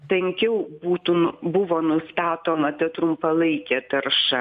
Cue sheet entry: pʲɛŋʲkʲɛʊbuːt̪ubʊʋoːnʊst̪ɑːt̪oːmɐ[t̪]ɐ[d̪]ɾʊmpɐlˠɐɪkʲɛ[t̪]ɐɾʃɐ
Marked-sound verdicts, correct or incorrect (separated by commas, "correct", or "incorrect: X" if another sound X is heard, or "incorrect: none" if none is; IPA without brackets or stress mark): correct, incorrect: t̪, correct